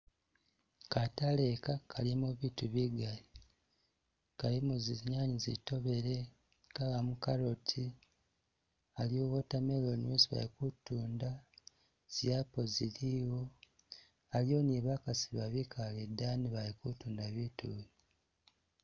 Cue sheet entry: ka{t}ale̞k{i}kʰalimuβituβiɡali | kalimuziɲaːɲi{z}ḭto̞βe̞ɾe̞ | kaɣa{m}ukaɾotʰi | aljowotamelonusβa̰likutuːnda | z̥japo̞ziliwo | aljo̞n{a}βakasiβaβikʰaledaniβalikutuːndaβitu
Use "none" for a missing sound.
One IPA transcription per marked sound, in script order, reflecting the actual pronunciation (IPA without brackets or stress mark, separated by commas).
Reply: t, a, z, m, i